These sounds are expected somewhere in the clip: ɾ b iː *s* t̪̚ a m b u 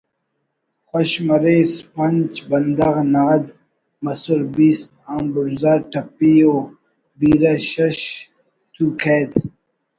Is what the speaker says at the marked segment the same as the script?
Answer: yes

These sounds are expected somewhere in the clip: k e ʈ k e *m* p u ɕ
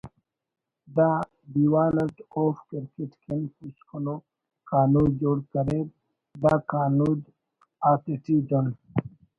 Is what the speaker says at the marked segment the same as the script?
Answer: no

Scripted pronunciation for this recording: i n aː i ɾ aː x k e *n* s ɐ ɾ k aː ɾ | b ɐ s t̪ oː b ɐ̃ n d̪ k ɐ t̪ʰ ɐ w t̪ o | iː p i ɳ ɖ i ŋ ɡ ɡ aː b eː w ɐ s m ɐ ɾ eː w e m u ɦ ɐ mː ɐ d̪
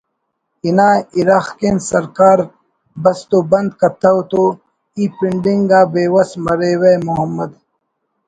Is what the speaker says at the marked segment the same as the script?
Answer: yes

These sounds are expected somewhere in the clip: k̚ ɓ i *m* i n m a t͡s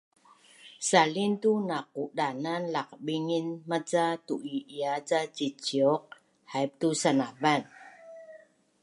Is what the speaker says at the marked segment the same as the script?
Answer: no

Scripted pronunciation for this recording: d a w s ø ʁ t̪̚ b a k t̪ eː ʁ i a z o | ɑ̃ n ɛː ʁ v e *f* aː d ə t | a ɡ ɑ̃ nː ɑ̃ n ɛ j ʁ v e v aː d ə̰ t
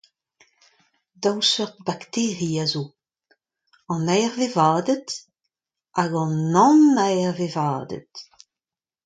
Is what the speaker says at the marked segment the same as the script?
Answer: no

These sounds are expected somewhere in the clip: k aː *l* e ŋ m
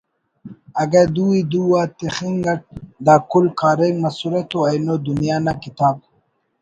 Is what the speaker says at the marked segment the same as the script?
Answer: no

